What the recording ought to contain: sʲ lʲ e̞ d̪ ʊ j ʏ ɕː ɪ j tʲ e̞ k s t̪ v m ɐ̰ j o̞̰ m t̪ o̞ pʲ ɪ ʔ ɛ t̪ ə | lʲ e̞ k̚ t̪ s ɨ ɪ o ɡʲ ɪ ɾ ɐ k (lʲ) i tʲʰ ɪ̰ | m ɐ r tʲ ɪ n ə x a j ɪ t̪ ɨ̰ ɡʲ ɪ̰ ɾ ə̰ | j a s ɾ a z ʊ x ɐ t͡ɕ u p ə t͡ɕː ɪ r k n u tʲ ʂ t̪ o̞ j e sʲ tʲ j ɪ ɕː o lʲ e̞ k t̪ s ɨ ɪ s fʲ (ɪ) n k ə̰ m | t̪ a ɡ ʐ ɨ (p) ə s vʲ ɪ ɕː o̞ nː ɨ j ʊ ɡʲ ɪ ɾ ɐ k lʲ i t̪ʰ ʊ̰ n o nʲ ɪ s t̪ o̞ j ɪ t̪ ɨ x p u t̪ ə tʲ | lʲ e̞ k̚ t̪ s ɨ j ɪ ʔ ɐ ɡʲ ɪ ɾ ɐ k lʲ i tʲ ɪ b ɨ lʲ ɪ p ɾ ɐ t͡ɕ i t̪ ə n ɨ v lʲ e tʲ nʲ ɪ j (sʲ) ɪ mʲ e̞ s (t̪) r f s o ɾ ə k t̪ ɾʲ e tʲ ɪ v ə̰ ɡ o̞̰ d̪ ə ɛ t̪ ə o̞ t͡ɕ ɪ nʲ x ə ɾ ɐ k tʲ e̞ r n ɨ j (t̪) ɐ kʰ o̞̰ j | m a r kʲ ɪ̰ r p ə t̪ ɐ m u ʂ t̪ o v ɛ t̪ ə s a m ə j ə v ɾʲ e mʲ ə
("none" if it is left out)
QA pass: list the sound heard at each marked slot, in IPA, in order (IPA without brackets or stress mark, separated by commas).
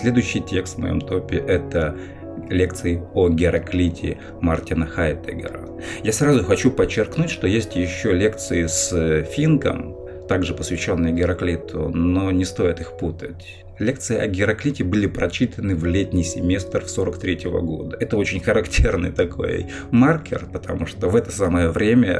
lʲ, i, p, sʲ, t̪, t̪